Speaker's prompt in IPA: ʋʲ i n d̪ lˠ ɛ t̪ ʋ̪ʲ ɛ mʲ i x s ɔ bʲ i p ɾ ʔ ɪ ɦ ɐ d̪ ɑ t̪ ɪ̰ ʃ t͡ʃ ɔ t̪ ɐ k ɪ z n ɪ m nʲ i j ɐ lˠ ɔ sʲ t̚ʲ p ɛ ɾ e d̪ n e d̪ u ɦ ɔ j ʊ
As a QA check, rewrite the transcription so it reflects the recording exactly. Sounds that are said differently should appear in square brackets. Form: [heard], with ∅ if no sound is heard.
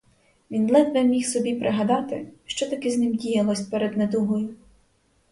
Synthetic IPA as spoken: ʋʲ i n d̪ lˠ ɛ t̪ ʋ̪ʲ ɛ mʲ i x s ɔ bʲ i p ɾ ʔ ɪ ɦ ɐ d̪ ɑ t̪ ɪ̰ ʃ t͡ʃ ɔ t̪ ɐ k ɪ z n ɪ m [dʲ] i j ɐ lˠ ɔ sʲ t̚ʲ p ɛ ɾ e d̪ n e d̪ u ɦ ɔ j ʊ